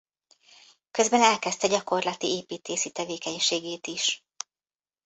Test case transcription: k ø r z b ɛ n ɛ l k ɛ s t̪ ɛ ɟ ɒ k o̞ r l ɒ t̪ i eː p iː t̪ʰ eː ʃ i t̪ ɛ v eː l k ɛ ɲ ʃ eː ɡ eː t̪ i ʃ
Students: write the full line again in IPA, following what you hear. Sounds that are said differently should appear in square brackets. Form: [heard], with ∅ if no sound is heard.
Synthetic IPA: k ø [∅] z b ɛ n ɛ l k ɛ s t̪ ɛ ɟ ɒ k o̞ r l ɒ t̪ i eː p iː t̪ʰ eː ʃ i t̪ ɛ v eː [∅] k ɛ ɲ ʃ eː ɡ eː t̪ i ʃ